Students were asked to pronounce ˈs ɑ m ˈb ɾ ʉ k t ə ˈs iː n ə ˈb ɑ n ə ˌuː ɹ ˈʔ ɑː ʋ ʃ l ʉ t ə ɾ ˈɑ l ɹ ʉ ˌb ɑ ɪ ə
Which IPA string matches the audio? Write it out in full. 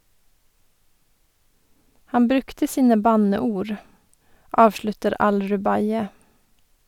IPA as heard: ˈh ɑ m ˈb ɾ ʉ k t ə ˈs iː n ə ˈb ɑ n ə ˌuː ɹ ˈʔ ɑː ʋ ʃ l ʉ t ə ɾ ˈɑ l ɹ ʉ ˌb ɑ ɪ ə